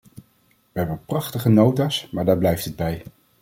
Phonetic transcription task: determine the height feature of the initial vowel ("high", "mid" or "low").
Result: mid